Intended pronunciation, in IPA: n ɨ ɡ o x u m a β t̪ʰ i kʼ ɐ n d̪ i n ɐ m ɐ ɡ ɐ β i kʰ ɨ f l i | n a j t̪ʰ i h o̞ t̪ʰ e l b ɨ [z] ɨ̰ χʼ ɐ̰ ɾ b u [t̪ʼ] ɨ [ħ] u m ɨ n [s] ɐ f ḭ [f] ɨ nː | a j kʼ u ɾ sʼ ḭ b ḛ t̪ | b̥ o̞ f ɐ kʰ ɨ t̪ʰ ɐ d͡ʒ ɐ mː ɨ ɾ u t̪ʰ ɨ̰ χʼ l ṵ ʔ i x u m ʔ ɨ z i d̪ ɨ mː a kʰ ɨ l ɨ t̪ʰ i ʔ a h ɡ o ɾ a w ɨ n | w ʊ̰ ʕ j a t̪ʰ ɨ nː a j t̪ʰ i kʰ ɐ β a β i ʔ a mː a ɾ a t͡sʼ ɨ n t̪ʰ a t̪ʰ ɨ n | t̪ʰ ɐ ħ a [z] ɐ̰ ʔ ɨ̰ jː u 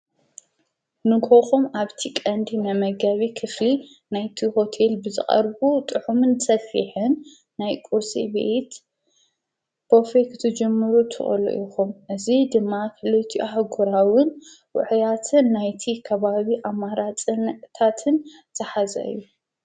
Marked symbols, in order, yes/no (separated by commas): yes, yes, yes, yes, no, yes